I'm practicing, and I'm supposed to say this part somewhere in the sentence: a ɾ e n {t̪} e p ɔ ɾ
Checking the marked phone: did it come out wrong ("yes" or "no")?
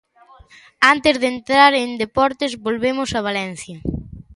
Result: yes